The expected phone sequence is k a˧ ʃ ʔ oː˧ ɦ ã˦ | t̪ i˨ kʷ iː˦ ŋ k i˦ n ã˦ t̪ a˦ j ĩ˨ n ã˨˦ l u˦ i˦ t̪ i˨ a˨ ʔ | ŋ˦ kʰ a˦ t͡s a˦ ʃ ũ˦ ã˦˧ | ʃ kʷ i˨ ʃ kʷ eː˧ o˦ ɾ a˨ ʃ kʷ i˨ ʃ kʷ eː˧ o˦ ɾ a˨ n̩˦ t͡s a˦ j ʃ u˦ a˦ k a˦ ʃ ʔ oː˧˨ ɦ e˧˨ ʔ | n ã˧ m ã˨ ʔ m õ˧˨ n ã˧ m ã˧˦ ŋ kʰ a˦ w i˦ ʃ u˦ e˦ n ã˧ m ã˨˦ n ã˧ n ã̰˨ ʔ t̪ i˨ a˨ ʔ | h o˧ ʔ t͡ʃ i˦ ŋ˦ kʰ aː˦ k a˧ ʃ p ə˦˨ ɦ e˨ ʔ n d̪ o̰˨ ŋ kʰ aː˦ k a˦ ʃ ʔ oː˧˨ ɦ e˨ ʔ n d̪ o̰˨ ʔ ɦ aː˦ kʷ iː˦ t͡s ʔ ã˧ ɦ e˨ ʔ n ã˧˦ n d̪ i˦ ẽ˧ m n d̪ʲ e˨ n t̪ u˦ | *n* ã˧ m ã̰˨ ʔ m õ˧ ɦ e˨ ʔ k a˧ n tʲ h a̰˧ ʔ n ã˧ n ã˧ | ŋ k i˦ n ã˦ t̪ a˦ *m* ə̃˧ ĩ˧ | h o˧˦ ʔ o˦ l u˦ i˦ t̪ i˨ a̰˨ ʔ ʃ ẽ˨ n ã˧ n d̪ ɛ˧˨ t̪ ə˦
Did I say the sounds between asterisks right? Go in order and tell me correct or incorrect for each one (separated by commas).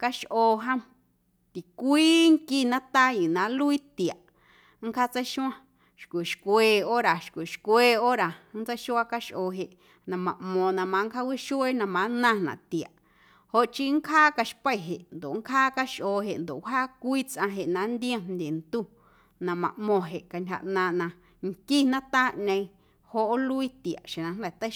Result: correct, incorrect